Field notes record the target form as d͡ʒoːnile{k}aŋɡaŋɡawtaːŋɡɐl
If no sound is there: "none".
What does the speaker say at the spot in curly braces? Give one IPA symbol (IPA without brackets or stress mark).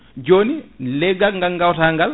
ɡ